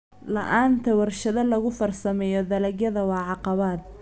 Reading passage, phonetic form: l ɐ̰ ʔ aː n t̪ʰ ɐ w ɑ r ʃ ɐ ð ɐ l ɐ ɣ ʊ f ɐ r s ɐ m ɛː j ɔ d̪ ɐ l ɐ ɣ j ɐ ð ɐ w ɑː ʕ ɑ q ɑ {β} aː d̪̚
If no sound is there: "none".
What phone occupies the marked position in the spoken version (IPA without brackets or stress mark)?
β